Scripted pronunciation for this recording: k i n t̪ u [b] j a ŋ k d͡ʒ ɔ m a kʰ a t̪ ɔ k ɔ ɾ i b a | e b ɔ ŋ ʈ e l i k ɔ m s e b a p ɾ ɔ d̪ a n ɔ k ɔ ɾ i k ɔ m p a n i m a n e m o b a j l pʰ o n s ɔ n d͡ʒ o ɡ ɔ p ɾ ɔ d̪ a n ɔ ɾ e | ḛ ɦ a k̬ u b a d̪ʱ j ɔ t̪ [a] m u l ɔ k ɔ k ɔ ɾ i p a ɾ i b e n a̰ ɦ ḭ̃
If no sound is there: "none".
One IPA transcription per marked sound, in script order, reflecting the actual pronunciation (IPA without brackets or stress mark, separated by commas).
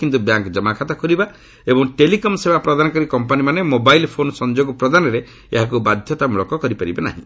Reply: b, a